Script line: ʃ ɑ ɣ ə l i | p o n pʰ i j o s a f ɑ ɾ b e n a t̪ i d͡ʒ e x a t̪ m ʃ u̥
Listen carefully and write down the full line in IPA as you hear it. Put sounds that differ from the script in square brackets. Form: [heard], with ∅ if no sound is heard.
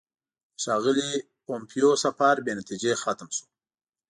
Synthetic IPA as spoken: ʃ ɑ ɣ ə l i | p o [m] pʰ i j o s a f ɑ ɾ b e n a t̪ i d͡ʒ e x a t̪ m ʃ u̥